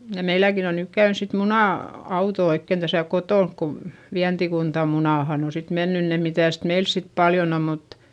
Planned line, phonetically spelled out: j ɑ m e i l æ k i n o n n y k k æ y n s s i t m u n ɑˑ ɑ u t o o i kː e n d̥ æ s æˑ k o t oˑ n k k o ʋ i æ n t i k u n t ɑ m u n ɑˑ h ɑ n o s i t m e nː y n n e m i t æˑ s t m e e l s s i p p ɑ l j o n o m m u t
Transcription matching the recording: j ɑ m e i l æ k i n o n n y k k æ y n s s i t m u n ɑˑ ɑ u t o o i kː e n d̥ æ s æˑ k o t oˑ n k k o ʋ i æ n t i k u n t ɑ m u n ɑˑ h ɑ n o s i t m e nː y n n e m i t æˑ s t m e i l s s i t p ɑ l j o n o m m u t